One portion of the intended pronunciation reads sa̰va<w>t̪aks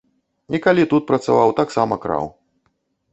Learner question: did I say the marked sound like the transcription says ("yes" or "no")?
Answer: yes